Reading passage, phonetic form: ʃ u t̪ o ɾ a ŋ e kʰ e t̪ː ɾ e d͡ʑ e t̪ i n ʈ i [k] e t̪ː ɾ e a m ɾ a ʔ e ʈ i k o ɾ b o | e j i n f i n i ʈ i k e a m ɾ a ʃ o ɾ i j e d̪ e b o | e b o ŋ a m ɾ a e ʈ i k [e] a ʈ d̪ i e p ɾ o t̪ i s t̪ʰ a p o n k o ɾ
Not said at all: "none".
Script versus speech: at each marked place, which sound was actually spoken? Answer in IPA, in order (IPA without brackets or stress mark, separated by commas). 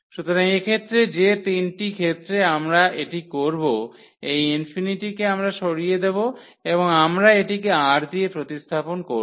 kʰ, e